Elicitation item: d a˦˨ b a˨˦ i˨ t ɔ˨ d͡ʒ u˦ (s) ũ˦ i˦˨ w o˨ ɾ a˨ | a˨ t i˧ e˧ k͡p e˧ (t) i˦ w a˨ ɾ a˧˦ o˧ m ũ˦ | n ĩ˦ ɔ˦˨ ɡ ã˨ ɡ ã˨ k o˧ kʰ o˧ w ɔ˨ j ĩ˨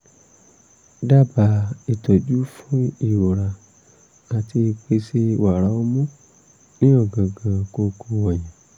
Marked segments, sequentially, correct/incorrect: incorrect, incorrect

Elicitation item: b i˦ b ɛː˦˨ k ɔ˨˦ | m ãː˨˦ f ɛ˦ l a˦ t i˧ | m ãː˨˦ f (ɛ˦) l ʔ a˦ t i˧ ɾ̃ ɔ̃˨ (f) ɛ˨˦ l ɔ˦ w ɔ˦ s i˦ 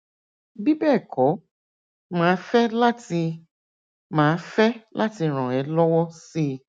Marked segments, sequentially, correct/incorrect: correct, incorrect

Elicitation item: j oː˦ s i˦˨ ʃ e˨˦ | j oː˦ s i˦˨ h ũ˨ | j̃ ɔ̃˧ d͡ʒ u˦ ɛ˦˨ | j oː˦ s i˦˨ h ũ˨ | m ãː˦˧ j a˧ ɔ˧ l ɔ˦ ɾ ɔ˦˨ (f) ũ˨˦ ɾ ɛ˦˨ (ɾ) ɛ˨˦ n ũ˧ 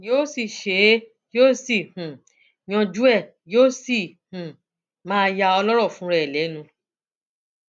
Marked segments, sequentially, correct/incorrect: correct, incorrect

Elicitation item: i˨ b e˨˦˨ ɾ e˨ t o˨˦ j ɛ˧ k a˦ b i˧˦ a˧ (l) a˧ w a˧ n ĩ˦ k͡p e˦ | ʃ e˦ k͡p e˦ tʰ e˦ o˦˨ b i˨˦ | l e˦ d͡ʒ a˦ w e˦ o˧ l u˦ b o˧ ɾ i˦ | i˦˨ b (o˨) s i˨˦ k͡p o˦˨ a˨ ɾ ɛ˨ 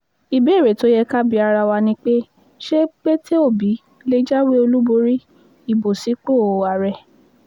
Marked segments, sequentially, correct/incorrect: incorrect, correct

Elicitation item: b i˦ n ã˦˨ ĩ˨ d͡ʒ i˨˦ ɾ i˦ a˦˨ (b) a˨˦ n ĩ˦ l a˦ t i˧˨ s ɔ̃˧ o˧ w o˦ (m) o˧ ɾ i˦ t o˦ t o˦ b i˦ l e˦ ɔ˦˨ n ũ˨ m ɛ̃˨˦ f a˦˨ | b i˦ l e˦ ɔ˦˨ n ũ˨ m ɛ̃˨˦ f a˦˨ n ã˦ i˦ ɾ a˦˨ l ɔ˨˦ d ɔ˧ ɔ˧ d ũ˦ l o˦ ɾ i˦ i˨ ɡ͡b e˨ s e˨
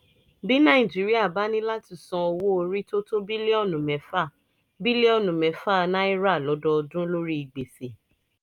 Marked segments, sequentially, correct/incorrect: correct, incorrect

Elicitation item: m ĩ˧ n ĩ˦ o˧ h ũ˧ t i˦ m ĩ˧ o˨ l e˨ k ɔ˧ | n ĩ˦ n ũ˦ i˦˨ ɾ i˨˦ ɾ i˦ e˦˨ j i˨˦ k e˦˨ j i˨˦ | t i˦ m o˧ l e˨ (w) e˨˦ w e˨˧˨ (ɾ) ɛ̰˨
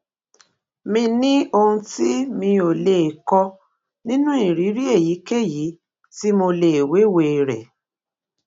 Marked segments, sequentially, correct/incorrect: correct, correct

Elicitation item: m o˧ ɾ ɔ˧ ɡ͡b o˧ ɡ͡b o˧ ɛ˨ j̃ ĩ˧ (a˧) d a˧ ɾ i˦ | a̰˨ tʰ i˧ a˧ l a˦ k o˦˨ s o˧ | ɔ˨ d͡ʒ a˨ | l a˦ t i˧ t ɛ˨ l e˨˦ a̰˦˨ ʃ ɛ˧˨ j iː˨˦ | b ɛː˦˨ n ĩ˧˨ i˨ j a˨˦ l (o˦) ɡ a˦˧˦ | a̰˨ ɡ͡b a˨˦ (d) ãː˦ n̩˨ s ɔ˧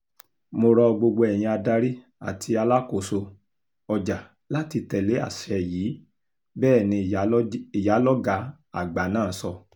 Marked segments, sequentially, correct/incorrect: correct, incorrect, incorrect

